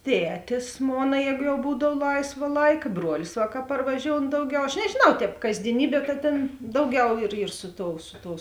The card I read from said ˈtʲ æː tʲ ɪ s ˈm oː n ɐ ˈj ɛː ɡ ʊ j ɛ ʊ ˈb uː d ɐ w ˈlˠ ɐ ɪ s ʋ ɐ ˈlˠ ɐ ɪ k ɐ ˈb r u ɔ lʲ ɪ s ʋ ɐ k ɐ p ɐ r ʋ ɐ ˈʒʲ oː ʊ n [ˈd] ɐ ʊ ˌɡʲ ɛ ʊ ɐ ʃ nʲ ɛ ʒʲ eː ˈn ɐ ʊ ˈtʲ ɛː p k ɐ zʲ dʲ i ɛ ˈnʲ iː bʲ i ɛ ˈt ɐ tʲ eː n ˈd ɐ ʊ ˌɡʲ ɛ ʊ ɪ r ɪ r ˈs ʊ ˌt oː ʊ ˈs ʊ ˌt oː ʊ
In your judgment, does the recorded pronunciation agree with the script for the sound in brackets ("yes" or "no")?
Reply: yes